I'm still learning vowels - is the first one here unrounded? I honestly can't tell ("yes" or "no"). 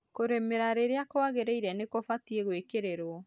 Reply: no